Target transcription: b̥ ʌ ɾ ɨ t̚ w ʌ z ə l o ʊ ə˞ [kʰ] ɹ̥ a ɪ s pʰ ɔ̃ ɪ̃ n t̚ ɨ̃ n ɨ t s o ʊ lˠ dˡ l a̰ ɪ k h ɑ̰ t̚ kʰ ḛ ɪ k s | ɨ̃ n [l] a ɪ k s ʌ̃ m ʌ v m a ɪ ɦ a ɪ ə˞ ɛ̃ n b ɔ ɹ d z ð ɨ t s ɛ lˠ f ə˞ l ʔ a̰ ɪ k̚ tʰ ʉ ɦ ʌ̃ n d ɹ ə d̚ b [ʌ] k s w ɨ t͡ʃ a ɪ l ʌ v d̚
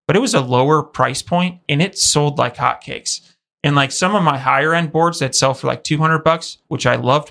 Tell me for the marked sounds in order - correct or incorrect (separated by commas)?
incorrect, correct, correct